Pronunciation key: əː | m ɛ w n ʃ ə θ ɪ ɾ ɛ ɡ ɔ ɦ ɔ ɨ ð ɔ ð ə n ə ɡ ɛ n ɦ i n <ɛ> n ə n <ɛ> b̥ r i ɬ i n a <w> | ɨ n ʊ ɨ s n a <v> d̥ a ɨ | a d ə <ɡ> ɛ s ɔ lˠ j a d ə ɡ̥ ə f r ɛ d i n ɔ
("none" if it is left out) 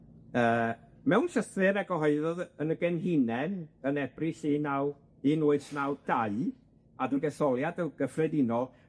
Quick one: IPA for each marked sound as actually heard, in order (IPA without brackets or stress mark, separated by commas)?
ɛ, ɛ, w, w, ɡ